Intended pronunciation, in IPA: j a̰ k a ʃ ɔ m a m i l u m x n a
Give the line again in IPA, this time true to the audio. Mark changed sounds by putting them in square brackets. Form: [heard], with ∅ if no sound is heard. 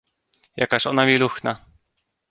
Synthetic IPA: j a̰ k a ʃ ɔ [n] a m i l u [∅] x n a